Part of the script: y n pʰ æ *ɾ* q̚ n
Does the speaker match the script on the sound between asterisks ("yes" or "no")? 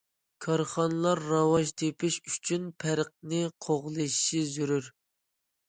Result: yes